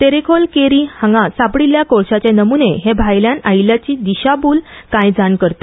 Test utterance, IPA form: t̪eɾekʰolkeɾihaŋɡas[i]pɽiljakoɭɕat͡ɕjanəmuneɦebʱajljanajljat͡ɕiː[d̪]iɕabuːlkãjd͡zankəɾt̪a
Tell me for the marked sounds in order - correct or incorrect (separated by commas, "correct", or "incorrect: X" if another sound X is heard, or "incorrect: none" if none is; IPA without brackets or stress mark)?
incorrect: a, correct